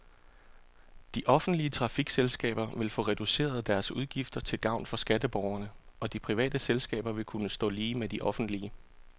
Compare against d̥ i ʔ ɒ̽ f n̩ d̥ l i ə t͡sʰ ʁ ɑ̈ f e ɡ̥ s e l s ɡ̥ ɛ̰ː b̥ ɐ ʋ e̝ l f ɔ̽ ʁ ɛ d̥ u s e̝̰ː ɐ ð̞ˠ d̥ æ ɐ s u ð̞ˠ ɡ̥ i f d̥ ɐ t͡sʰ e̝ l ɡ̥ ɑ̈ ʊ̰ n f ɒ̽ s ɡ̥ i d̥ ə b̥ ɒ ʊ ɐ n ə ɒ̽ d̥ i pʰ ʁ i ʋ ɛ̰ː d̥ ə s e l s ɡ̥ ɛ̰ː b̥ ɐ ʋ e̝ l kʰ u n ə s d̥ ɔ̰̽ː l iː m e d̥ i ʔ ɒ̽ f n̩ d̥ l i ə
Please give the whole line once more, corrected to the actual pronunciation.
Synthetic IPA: d̥ i ʔ ɒ̽ f n̩ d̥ l i ə t͡sʰ ʁ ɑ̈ f i ɡ̥ s e l s ɡ̥ ɛ̰ː b̥ ɐ ʋ e̝ l f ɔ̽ ʁ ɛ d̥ u s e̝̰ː ɐ ð̞ˠ d̥ æ ɐ s u ð̞ˠ ɡ̥ i f d̥ ɐ t͡sʰ e̝ l ɡ̥ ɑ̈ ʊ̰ n f ɒ̽ s ɡ̥ æ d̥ ə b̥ ɒ ʊ ɐ n ə ɒ̽ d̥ i pʰ ʁ i ʋ ɛ̰ː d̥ ə s e l s ɡ̥ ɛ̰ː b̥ ɐ ʋ e̝ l kʰ u n ə s d̥ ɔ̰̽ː l iː m e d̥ i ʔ ɒ̽ f n̩ d̥ l i ə

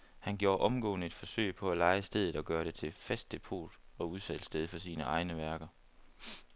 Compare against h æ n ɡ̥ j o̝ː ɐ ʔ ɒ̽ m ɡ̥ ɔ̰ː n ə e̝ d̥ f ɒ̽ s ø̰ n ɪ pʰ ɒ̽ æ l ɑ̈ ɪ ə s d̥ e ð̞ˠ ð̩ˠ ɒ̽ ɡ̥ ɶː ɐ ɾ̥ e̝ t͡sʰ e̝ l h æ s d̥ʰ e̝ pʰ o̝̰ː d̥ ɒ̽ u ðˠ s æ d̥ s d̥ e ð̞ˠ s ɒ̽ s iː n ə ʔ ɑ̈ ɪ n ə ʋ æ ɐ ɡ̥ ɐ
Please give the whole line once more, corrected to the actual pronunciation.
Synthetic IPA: h æ n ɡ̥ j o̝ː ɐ ʔ ɒ̽ m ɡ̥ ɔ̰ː n ə e̝ d̥ f ɒ̽ s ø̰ ɪ pʰ ɒ̽ æ l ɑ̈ ɪ ə s d̥ e ð̞ˠ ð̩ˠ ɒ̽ ɡ̥ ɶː ɐ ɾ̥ e̝ t͡sʰ e̝ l f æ s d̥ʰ e̝ pʰ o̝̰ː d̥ ɒ̽ u ðˠ s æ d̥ s d̥ e ð̞ˠ f ɒ̽ s iː n ə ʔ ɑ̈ ɪ n ə ʋ æ ɐ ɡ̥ ɐ

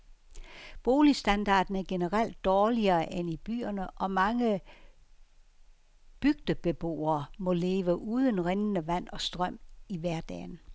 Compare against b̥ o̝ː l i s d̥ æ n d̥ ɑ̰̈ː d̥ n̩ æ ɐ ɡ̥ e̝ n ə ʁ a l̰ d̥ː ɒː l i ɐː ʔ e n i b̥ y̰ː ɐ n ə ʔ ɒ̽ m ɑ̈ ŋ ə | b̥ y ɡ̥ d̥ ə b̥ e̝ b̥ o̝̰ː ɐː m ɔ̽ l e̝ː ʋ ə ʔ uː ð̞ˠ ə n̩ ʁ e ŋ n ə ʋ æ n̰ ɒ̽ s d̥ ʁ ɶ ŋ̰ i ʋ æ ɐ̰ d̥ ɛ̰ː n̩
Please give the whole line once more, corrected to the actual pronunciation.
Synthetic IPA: b̥ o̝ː l i s d̥ æ n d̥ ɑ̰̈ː d̥ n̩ æ ɐ ɡ̥ e̝ n ə ʁ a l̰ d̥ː ɒː l i ɐː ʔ e n i b̥ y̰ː ɐ n ə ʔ ɒ̽ m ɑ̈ ŋ ə | b̥ y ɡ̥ d̥ ə b̥ e̝ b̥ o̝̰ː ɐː m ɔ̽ l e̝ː ʋ ə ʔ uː ð̞ˠ ə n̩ ʁ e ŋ n ə ʋ æ n̰ ɒ̽ s d̥ ʁ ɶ m̰ i ʋ æ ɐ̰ d̥ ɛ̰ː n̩

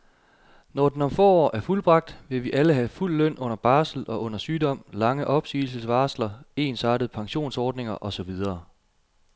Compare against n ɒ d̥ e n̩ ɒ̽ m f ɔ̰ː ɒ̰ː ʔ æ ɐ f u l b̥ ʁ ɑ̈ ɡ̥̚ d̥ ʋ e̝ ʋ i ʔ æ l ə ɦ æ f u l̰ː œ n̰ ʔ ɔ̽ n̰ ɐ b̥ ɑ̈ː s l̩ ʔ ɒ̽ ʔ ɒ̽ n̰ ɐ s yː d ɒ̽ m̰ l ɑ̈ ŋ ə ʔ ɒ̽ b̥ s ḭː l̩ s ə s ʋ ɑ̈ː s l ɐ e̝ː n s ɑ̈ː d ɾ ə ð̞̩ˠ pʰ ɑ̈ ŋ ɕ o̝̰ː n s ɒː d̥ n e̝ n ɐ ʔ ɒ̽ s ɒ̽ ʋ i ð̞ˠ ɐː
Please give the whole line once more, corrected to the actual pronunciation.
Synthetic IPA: n ɒ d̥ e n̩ ɒ̽ m f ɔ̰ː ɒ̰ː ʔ æ ɐ f u l b̥ ʁ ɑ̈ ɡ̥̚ d̥ ʋ e̝ ʋ i ʔ æ l ə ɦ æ f u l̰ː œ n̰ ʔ ɔ̽ n̰ ɐ b̥ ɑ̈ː s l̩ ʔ ɒ̽ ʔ ɔ̽ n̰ ɐ s yː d ɒ̽ m̰ l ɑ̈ ŋ ə ʔ ɒ̽ b̥ s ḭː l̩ s ə s ʋ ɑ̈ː s l ɐ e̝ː n s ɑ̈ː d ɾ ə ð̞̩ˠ pʰ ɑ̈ ŋ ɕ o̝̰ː n s ɒː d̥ n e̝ ŋ ɐ ʔ ɒ̽ s ɒ̽ ʋ i ð̞ˠ ɐː

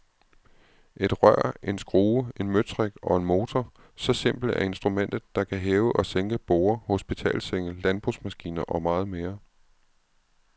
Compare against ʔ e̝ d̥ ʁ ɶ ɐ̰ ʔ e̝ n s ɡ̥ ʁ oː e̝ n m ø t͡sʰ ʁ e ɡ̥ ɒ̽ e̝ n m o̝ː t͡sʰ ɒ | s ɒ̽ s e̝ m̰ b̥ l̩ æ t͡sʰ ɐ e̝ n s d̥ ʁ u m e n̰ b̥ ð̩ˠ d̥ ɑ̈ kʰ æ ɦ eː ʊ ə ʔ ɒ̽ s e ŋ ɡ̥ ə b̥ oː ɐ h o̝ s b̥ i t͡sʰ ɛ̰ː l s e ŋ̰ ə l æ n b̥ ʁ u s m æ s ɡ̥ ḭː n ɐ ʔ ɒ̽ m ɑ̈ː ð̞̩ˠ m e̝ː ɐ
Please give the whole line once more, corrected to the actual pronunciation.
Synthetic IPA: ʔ e̝ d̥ ʁ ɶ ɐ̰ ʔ e̝ n s ɡ̥ ʁ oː e̝ n m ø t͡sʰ ʁ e ɡ̥ ɒ̽ e̝ n m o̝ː t͡sʰ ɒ | s ɒ̽ s e̝ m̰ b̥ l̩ æ ɐ e̝ n s d̥ ʁ u m e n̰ d̥ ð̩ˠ d̥ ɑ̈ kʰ æ ɦ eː ʊ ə ʔ ɒ̽ s e ŋ ɡ̥ ə b̥ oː ɐ h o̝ s b̥ i t͡sʰ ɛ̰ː l s e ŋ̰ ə l æ n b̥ ʁ u s m æ s ɡ̥ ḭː n ɐ ʔ ɒ̽ m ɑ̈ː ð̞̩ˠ m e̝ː ɐ

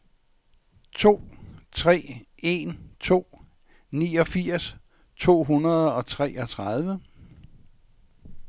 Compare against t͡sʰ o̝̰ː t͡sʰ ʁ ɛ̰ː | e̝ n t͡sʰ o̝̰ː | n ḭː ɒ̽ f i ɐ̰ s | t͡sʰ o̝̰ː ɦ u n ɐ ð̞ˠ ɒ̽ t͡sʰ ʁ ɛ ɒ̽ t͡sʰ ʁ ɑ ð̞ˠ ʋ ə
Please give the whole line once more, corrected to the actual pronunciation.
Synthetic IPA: t͡sʰ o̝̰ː t͡sʰ ʁ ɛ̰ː | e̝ n t͡sʰ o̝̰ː | n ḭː ɒ̽ f i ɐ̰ s | t͡sʰ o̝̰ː ɦ u n ɐ ð̞ˠ ɒ̽ t͡sʰ ʁ ɛ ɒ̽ t͡sʰ ʁ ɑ ð̞ˠ ʋ ə

